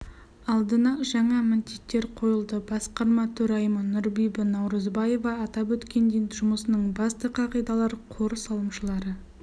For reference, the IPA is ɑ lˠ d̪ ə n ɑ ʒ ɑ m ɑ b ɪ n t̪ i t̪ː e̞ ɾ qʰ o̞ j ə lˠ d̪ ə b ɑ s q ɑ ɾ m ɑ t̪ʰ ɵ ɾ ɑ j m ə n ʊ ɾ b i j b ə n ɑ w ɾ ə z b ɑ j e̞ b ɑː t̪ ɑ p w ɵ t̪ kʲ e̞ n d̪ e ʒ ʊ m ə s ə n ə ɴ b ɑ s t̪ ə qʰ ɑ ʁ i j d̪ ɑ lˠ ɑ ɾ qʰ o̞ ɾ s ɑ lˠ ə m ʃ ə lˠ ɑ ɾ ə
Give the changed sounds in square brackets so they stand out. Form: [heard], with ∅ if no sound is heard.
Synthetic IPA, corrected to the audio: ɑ lˠ d̪ ə n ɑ ʒ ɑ [ɴ] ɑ [m] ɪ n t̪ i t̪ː e̞ ɾ qʰ o̞ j ə lˠ d̪ ə b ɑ s q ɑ ɾ m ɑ t̪ʰ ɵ ɾ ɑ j m ə n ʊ ɾ b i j b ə n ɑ w ɾ ə z b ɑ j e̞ [v] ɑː t̪ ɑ p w ɵ t̪ kʲ e̞ n d̪ e ʒ ʊ m ə s ə n ə ɴ b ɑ s t̪ ə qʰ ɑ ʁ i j d̪ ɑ lˠ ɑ ɾ qʰ o̞ ɾ s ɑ lˠ ə m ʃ ə lˠ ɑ ɾ ə

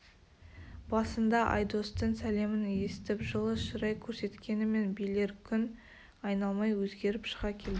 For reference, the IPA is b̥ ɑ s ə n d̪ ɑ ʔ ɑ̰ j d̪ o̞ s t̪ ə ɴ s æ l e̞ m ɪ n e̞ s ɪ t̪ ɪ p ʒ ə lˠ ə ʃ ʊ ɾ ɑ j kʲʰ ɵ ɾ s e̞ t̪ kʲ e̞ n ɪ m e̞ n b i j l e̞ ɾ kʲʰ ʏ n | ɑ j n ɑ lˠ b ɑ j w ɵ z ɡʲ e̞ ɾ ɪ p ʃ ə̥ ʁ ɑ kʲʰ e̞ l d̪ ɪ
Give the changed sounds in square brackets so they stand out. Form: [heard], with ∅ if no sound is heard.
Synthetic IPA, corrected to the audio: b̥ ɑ s ə n d̪ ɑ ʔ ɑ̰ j d̪ o̞ s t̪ ə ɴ s æ l e̞ m ɪ n e̞ s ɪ t̪ ɪ p ʒ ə lˠ ə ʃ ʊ ɾ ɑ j kʲʰ ɵ ɾ s e̞ t̪ kʲ e̞ n ɪ m e̞ n b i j l e̞ ɾ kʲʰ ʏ n | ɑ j n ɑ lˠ [m] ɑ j w ɵ z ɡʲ e̞ ɾ ɪ p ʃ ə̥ ʁ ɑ kʲʰ e̞ l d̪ ɪ

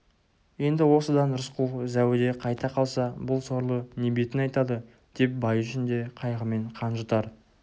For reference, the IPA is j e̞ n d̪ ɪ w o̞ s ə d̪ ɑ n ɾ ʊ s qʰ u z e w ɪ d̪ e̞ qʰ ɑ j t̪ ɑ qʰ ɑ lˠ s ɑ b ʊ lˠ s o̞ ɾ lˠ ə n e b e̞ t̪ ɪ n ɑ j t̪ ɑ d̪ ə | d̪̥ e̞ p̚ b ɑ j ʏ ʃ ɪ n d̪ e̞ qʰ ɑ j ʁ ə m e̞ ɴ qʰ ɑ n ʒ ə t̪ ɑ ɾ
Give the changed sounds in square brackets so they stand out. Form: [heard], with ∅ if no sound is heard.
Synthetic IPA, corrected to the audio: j e̞ n d̪ ɪ w o̞ s ə d̪ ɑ n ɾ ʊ s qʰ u z [æ] w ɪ d̪ e̞ qʰ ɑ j t̪ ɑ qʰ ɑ lˠ s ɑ b ʊ lˠ s o̞ ɾ lˠ ə n e b e̞ t̪ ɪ n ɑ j t̪ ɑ d̪ ə | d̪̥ e̞ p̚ b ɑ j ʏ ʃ ɪ n d̪ e̞ qʰ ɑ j ʁ ə m e̞ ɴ qʰ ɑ n ʒ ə t̪ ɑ ɾ

